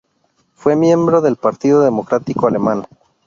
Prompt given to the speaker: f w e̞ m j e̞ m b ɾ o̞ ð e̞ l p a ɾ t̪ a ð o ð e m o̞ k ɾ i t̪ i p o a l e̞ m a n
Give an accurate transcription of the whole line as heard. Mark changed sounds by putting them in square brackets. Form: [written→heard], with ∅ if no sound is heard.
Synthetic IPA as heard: f w e̞ m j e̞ m b ɾ o̞ ð e̞ l p a ɾ t̪ [a→i] ð o ð e m o̞ k ɾ [i→a] t̪ i [p→k] o a l e̞ m a n

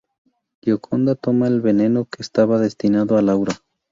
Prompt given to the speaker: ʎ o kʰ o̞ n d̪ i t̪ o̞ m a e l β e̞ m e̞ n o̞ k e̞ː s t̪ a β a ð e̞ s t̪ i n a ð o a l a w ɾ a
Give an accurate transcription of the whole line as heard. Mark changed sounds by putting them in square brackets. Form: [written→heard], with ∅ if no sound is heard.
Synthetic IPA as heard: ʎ o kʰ o̞ n d̪ [i→a] t̪ o̞ m a e l β e̞ [m→n] e̞ n o̞ k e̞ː s t̪ a β a ð e̞ s t̪ i n a ð o a l a w ɾ a

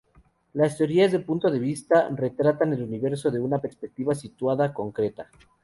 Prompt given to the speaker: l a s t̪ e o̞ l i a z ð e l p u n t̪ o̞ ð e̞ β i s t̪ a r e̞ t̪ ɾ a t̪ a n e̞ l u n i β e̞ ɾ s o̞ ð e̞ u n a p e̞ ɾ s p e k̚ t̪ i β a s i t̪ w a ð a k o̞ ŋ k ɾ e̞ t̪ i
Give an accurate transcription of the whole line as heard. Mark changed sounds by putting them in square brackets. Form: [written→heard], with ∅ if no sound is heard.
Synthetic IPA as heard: l a s t̪ e o̞ [l→ɾ] i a z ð e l p u n t̪ o̞ ð e̞ β i s t̪ a r e̞ t̪ ɾ a t̪ a n e̞ l u n i β e̞ ɾ s o̞ ð e̞ u n a p e̞ ɾ s p e k̚ t̪ i β a s i t̪ w a ð a k o̞ ŋ k ɾ e̞ t̪ [i→a]

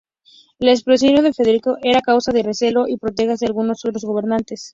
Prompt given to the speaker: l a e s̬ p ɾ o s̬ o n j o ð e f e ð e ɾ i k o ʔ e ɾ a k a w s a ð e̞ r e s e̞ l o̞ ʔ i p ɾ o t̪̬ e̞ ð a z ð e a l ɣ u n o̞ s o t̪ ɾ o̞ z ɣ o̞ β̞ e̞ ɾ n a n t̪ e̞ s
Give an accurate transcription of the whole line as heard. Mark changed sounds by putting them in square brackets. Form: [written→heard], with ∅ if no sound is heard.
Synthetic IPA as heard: l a e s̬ p ɾ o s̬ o n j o ð e f e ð e ɾ i k o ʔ e ɾ a k a w s a ð e̞ r e s e̞ l o̞ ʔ i p ɾ o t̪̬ e̞ [ð→ɣ] a z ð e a l ɣ u n o̞ s o t̪ ɾ o̞ z ɣ o̞ β̞ e̞ ɾ n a n t̪ e̞ s

